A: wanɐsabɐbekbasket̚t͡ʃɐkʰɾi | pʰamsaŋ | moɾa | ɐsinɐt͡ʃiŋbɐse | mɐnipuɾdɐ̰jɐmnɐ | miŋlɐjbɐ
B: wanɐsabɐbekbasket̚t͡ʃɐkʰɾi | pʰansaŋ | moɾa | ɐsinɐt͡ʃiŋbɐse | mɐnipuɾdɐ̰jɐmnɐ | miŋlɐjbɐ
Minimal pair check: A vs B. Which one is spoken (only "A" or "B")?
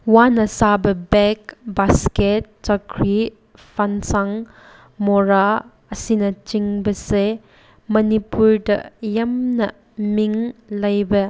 B